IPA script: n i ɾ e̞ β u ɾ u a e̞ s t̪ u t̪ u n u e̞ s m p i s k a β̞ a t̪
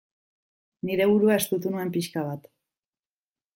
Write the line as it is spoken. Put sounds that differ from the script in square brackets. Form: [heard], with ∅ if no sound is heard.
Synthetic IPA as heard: n i ɾ e̞ β u ɾ u a e̞ s t̪ u t̪ u n u e̞ [∅] m p i [ʃ] k a β̞ a t̪